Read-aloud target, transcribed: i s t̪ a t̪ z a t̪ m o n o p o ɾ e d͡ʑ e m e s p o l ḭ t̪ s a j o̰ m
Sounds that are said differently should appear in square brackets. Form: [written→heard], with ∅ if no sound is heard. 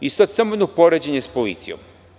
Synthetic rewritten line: i s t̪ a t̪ [z→s] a [t̪→∅] m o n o p o ɾ e d͡ʑ e [m→ɲ] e s p o l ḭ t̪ s [a→i] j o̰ m